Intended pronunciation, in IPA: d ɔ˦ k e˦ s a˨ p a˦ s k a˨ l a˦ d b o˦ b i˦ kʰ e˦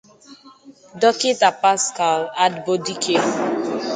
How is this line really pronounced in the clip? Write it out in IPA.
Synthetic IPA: d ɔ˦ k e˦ t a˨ p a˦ s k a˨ l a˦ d b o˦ d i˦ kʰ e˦